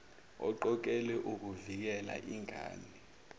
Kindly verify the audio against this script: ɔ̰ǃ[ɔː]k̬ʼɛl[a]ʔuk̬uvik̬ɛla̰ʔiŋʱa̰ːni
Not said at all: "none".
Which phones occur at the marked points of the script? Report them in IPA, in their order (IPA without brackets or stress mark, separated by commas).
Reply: ɔ, ɛ